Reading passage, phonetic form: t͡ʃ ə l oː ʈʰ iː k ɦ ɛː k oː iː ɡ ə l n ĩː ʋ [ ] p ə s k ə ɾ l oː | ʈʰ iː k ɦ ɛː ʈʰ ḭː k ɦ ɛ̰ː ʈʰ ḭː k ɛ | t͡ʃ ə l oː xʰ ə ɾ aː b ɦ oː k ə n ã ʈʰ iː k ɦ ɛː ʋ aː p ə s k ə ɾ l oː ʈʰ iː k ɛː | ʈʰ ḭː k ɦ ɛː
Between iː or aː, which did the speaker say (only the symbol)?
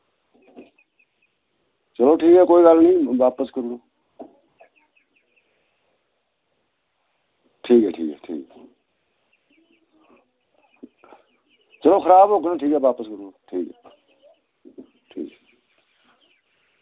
aː